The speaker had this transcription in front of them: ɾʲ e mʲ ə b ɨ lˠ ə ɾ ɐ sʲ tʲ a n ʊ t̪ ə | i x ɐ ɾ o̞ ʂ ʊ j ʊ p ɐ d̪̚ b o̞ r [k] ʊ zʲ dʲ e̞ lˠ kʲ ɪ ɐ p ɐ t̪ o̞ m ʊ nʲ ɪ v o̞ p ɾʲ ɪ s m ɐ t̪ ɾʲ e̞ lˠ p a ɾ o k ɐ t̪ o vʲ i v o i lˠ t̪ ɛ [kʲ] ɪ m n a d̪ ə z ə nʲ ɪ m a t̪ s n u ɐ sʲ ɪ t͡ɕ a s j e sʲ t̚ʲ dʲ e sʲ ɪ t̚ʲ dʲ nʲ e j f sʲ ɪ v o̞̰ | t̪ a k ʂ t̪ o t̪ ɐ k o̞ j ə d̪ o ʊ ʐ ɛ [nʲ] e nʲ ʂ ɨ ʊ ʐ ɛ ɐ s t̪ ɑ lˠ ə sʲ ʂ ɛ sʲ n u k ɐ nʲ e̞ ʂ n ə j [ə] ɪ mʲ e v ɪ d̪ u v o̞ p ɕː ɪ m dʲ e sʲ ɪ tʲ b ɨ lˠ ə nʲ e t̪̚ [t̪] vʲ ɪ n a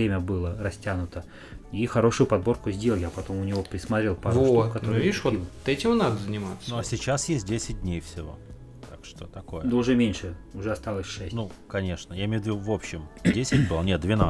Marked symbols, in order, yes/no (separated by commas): yes, no, no, no, no